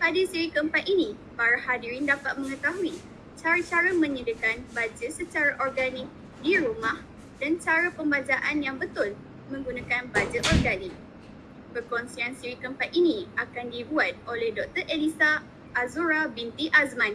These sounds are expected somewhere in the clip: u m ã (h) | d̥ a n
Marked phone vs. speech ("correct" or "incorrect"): correct